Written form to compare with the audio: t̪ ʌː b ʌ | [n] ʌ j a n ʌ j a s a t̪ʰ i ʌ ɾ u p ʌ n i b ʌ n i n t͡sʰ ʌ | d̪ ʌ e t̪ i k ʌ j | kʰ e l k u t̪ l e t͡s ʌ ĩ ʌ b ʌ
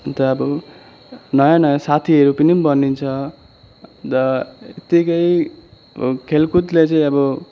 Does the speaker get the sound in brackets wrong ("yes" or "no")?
no